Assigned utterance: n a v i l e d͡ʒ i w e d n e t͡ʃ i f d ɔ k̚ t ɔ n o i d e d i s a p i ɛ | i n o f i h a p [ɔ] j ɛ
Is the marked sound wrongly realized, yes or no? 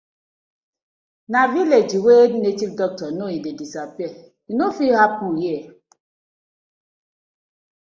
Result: yes